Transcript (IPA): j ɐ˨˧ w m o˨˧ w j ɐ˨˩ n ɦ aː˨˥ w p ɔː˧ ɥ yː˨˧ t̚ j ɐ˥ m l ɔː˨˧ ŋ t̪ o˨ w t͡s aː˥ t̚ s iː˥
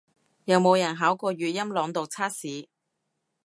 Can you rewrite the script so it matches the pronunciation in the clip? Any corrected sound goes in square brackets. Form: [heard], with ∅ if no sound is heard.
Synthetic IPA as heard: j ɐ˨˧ w m o˨˧ w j ɐ˨˩ n ɦ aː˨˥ w [k] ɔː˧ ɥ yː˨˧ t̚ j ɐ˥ m l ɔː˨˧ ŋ t̪ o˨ w [t͡sʰ] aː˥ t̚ s [iː˨˥]